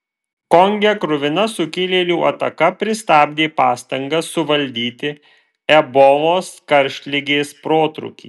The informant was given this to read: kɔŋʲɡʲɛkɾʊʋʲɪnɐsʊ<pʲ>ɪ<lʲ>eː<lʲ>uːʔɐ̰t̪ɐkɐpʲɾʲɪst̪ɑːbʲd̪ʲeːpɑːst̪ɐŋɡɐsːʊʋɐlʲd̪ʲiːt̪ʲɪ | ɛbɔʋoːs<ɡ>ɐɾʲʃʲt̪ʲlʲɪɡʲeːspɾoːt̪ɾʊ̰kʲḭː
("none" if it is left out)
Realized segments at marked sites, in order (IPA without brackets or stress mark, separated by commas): kʲ, lʲ, lʲ, k